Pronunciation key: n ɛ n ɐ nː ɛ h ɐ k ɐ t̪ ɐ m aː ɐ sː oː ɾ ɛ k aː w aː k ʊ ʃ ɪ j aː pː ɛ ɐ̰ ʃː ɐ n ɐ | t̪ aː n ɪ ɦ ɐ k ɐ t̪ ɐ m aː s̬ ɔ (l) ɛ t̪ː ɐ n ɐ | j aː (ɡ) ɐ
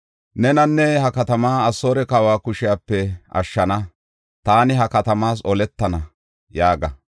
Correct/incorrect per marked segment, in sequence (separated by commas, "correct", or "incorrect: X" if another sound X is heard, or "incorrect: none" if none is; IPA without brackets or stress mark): correct, correct